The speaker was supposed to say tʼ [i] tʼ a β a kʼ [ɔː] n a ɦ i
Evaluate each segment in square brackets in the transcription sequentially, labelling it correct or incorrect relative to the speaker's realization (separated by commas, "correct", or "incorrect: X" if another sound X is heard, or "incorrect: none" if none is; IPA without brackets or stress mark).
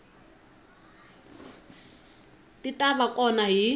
correct, incorrect: ɔ